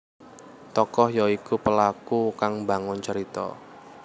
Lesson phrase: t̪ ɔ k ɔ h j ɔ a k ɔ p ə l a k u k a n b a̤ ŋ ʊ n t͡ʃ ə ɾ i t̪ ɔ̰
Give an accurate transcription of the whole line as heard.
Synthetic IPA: t̪ ɔ k ɔ h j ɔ i k u p ə l a k u k a ŋ b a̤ ŋ ʊ n t͡ʃ ə ɾ i t̪ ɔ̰